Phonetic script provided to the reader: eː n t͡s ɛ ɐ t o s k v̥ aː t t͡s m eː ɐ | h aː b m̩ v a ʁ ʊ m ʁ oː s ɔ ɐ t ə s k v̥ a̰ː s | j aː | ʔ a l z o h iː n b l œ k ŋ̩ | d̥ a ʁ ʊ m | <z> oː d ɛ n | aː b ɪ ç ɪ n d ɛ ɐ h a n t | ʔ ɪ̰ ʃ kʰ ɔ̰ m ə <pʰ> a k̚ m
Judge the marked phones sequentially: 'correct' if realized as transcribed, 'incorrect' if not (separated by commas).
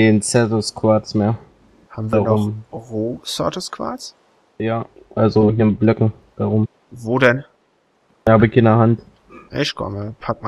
incorrect, correct